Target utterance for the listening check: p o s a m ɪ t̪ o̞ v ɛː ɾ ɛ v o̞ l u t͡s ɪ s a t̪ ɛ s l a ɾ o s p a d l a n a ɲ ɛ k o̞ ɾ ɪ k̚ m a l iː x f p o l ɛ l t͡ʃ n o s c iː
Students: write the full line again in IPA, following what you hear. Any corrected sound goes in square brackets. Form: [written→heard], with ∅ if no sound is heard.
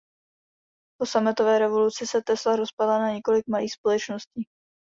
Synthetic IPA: p o s a m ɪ t̪ o̞ v ɛː ɾ ɛ v o̞ l u t͡s ɪ s [a→ɛ] t̪ ɛ s l a ɾ o s p a d l a n a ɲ ɛ k o̞ [ɾ→l] ɪ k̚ m a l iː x [f→s] p o l ɛ [l→∅] t͡ʃ n o s c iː